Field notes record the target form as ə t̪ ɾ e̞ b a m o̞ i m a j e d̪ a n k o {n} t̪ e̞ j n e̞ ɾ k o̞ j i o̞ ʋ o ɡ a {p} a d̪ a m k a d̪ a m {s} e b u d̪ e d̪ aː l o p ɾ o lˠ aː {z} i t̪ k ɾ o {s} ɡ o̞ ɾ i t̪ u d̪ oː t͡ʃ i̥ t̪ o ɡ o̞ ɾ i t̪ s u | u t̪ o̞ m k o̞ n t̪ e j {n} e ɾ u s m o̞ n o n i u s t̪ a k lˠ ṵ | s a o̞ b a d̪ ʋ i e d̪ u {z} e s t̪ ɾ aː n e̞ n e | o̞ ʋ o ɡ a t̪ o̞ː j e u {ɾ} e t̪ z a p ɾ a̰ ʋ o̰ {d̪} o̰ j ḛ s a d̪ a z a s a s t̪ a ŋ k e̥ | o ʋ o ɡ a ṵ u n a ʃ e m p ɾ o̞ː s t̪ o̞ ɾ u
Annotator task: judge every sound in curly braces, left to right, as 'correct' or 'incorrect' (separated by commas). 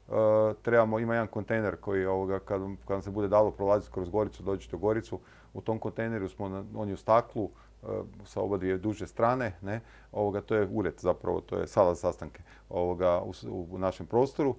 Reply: correct, incorrect, correct, correct, incorrect, correct, incorrect, correct, incorrect